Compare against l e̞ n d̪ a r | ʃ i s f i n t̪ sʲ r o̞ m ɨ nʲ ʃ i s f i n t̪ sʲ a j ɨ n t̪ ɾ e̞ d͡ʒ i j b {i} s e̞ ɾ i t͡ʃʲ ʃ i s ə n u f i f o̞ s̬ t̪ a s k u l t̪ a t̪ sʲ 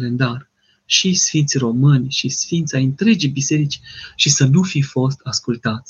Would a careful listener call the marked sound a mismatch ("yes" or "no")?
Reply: no